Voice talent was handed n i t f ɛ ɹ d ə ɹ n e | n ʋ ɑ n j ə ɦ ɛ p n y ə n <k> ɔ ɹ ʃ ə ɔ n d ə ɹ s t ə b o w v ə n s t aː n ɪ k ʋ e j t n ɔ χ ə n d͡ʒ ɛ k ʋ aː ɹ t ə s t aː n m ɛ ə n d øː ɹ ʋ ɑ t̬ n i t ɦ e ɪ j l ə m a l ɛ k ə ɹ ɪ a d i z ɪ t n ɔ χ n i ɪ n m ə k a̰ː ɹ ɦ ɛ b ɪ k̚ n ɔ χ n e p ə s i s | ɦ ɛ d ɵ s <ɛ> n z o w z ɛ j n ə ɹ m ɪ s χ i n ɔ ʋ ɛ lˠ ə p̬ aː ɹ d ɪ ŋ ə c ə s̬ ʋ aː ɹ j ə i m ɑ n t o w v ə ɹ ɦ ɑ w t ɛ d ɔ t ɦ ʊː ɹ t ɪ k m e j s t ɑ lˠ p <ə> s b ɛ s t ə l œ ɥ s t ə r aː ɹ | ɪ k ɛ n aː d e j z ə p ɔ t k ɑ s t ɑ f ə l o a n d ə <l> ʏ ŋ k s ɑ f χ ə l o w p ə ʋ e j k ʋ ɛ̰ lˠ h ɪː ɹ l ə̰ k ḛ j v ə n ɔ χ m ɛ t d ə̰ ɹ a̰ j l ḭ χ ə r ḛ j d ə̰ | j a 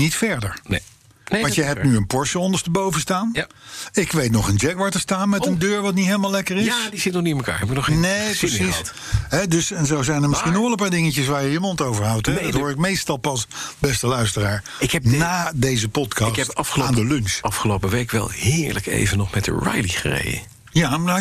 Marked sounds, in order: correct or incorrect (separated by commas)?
incorrect, correct, incorrect, correct